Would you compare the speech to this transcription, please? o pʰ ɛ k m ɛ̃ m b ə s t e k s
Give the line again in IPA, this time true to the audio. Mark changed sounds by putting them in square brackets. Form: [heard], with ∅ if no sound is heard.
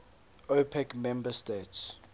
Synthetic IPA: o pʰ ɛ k m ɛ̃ m b ə s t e [t] s

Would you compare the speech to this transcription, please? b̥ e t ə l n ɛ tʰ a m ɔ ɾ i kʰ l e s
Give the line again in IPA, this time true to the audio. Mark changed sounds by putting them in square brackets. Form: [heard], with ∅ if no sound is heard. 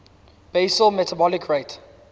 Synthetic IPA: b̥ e [s] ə l [m] ɛ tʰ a [b] ɔ [l] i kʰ [ɹ] e [t]

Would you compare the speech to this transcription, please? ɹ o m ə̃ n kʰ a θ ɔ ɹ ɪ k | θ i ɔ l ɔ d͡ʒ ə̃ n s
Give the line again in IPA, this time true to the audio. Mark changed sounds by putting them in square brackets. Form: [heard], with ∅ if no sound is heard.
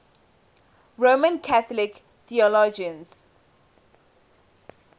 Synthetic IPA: ɹ o m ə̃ n kʰ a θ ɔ [l] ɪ k | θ i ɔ l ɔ d͡ʒ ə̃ n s

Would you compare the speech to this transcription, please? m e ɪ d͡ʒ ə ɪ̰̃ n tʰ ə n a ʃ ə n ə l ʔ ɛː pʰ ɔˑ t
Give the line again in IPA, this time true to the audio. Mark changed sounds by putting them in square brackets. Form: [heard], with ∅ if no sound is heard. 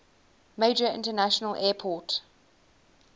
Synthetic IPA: m e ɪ d͡ʒ ə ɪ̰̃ n [t] ə n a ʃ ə n ə l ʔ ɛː pʰ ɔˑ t

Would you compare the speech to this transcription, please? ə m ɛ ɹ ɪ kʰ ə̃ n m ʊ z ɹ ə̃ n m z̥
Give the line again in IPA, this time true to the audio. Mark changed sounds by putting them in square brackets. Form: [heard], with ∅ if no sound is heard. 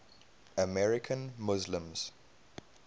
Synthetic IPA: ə m ɛ ɹ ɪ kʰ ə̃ n m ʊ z [l] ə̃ [∅] m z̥

